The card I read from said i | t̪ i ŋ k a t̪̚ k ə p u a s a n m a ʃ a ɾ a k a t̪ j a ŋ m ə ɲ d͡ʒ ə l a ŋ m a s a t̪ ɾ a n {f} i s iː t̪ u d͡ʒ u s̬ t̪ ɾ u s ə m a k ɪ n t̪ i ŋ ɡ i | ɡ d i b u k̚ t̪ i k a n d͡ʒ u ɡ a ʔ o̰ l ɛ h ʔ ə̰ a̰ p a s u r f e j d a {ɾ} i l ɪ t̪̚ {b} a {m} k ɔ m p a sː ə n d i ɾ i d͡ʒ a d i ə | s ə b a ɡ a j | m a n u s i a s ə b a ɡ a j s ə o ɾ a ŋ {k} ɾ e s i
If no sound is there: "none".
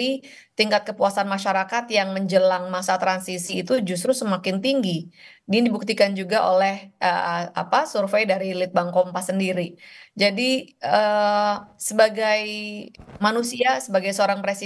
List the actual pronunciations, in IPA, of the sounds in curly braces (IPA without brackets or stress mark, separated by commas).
s, ɾ, b, ŋ, p